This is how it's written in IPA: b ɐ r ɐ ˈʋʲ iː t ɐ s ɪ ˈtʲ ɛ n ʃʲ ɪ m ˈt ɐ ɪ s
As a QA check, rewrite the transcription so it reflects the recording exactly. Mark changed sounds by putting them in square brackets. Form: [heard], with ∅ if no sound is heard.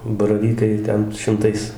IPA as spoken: b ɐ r ɐ ˈʋʲ iː [k] ɐ [∅] ɪ ˈtʲ ɛ n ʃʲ ɪ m ˈt ɐ ɪ s